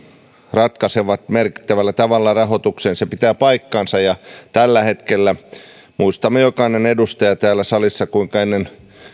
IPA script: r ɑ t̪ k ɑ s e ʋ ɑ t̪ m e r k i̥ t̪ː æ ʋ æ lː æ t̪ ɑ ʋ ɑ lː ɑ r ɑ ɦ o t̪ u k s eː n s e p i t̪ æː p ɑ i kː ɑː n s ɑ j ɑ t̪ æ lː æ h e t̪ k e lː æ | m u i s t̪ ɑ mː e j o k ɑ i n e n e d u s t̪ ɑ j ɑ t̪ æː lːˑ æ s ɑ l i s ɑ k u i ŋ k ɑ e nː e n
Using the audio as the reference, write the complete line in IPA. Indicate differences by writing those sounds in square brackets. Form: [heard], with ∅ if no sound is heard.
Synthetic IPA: r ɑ t̪ k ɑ s e ʋ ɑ t̪ m e r k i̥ t̪ː æ ʋ æ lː æ t̪ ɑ ʋ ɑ lː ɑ r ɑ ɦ o t̪ u k s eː n s e p i t̪ æː p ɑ i kː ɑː n s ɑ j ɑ t̪ æ lː æ h e t̪ k e lː æ | m u i s t̪ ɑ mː e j o k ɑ i n e n e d u s t̪ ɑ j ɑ t̪ æː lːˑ æ s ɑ l i [sː] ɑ k u i ŋ k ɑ e nː e n

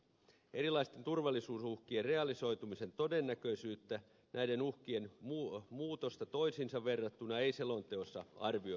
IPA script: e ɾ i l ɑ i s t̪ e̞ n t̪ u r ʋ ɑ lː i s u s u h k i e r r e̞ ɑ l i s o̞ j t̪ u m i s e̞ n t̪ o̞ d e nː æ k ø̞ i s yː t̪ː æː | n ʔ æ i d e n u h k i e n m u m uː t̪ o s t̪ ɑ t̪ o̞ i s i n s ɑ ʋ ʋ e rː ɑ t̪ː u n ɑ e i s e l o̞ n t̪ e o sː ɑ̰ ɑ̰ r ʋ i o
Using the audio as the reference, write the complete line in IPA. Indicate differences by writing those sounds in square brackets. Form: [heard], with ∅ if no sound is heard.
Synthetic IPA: e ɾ i l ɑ i s t̪ e̞ n t̪ u r ʋ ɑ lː i s [uː] s u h k i e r r e̞ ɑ l i s o̞ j t̪ u m i s e̞ n t̪ o̞ d e nː æ k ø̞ i s yː t̪ː [æ] | n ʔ æ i d e n u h k i e n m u m uː t̪ o s t̪ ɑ t̪ o̞ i s i n s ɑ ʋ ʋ e rː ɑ t̪ː u n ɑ e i s e l o̞ n t̪ e o sː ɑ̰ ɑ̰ r ʋ i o

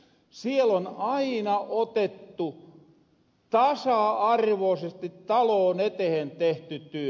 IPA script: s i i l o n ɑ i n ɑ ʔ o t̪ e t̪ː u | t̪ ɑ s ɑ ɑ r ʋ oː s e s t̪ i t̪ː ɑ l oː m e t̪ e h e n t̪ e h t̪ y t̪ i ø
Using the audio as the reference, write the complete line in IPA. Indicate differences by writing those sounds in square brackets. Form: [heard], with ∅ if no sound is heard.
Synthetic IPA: s i [e] l o n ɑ i n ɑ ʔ o t̪ e t̪ː u | t̪ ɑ s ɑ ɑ r ʋ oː s e s t̪ i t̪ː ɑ l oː [n] e t̪ e h e n t̪ e h t̪ y t̪ [y] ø

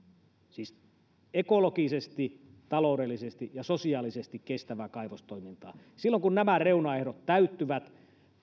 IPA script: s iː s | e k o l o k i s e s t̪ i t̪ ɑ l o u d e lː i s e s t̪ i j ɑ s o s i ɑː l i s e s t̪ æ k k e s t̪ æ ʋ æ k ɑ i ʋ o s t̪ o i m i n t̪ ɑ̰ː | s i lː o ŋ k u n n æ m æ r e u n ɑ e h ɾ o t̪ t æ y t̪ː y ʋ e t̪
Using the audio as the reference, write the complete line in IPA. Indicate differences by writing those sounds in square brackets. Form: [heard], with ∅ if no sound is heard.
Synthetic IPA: s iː s | e k o l o k i s e s t̪ i t̪ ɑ l o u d e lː i s e s t̪ i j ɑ s o s i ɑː l i s e s t̪ [i] k k e s t̪ æ ʋ æ k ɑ i ʋ o s t̪ o i m i n t̪ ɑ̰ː | s i lː o ŋ k u n n æ m æ r e u n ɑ e h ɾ o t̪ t æ y t̪ː y ʋ [æ] t̪

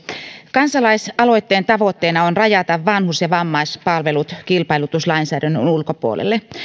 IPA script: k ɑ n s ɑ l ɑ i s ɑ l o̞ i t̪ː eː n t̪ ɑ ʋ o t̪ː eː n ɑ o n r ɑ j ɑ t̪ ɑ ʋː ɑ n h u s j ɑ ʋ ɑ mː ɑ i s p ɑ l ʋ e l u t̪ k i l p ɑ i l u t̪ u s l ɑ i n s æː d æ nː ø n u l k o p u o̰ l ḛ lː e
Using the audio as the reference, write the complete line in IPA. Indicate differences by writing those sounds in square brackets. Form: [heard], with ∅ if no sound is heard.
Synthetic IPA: k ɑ n s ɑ l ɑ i s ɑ l o̞ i t̪ː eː n t̪ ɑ ʋ o t̪ː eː n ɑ o n r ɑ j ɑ t̪ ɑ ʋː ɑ n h u s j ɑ ʋ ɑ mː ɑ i s p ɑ l ʋ e l u t̪ k i l p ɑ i l u t̪ u s l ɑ i n s æː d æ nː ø n u l k o p u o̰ l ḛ lː e

